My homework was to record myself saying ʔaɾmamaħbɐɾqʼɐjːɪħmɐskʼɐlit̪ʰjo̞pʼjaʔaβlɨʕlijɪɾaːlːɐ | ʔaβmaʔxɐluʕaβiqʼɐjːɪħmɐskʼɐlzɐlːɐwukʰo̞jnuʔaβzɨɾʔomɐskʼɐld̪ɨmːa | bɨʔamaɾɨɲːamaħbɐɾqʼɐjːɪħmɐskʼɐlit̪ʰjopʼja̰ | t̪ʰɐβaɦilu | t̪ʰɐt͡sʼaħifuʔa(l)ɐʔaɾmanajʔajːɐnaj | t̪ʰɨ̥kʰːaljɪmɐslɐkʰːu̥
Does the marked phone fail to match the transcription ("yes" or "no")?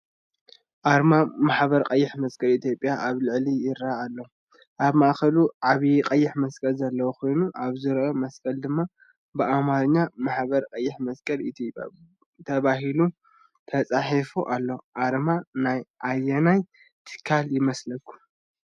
yes